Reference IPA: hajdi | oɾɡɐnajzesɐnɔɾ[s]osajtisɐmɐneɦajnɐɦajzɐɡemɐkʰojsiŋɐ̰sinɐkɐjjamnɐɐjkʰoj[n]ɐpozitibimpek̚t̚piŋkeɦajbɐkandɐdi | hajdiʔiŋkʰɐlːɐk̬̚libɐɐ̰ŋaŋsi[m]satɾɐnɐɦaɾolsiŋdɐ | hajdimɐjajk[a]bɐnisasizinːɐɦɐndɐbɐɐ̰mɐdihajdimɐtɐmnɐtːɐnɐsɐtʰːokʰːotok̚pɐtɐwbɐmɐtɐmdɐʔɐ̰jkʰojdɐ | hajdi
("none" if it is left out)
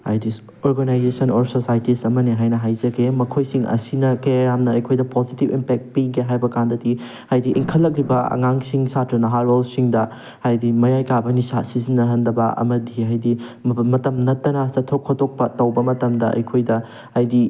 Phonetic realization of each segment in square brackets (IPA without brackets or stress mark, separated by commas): s, d, ŋ, a